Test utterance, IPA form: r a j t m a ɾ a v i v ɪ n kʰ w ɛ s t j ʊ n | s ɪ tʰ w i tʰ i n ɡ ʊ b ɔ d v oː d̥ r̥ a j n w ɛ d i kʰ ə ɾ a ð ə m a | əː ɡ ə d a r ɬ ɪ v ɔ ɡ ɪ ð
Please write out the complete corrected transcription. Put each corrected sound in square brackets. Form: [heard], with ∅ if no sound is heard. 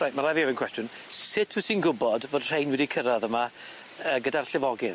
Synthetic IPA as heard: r a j t m a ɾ a v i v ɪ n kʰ w ɛ s t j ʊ n | s ɪ tʰ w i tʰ i n ɡ ʊ b ɔ d v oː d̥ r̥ [e] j n w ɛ d i kʰ ə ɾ a ð ə m a | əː ɡ ə d a r ɬ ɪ v ɔ ɡ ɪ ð